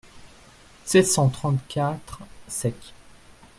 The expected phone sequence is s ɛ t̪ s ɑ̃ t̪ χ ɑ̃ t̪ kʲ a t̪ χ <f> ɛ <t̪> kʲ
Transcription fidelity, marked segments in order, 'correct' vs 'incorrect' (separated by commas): incorrect, incorrect